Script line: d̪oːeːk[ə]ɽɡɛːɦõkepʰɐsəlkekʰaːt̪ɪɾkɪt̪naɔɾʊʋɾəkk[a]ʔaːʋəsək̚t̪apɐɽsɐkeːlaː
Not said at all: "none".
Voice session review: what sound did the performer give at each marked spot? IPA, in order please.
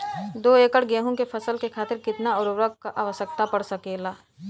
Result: ə, a

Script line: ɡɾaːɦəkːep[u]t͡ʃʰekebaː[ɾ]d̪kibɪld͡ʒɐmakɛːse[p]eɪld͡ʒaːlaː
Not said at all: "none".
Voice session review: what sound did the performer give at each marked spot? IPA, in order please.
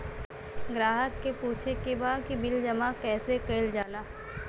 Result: uː, none, k

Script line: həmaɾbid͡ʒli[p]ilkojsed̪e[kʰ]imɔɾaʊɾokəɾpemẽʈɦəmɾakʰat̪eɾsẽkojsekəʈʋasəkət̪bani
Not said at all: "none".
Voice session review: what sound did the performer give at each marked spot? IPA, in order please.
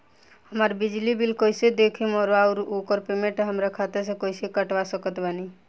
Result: b, kʰ

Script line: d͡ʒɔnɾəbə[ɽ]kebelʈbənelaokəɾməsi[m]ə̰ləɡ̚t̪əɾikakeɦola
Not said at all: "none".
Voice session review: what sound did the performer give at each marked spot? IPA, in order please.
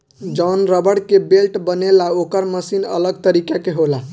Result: ɽ, n

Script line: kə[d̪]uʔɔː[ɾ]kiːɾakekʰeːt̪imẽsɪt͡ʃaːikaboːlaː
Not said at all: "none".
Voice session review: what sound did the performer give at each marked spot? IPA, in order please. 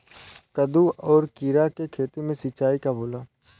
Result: d̪, ɾ

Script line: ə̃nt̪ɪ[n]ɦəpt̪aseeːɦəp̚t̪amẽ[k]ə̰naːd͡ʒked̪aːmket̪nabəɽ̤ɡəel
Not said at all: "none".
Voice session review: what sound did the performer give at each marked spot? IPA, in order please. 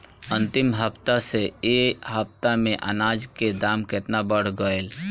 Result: m, ʔ

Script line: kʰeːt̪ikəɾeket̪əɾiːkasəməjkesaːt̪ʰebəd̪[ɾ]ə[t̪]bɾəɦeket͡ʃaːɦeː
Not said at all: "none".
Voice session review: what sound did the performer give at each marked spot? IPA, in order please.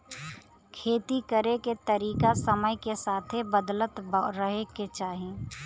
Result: l, t̪

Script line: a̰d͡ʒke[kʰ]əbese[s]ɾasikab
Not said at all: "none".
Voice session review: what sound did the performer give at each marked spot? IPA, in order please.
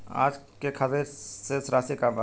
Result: kʰ, s

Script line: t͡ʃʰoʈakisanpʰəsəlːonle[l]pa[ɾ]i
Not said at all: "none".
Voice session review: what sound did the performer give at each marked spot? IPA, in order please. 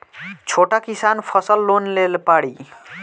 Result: l, ɽ

